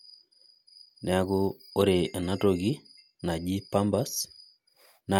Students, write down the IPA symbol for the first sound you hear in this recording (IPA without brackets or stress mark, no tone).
n